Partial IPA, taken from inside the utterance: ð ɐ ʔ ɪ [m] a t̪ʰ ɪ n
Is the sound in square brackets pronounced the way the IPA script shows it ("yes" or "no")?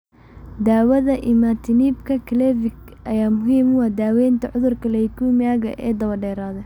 yes